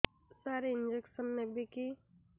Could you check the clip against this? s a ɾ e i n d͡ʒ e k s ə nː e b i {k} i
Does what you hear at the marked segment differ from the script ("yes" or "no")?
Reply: no